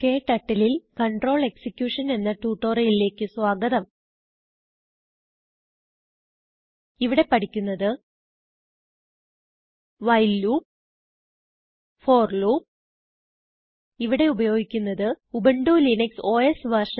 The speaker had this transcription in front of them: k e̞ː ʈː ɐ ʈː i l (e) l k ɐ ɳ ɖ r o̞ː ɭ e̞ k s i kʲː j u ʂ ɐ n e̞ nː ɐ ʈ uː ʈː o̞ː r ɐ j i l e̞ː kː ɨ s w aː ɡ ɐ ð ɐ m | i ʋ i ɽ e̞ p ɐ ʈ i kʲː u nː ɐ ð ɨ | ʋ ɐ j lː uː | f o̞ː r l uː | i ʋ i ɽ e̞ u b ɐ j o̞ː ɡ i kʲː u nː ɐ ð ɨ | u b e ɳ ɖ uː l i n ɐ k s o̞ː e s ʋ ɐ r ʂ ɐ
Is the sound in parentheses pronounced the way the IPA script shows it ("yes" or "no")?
no